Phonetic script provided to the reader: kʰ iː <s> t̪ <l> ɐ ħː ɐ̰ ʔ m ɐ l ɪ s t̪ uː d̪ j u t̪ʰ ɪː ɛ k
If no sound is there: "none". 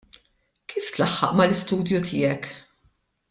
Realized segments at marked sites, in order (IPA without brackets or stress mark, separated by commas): f, l